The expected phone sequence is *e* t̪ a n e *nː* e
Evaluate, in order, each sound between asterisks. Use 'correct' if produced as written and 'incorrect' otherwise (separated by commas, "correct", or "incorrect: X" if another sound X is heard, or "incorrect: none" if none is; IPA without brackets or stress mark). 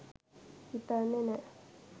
incorrect: i, incorrect: n